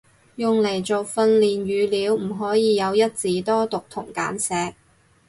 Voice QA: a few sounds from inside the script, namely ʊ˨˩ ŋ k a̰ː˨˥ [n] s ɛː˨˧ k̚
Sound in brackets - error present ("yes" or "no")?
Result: no